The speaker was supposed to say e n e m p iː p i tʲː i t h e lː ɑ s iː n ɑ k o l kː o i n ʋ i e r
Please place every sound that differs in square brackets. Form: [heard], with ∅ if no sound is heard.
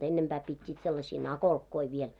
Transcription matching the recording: e [nː] e m p [æː] p i tʲː [iː] t [s] e lː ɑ s iː n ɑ k o l kː o i [∅] ʋ i e [l]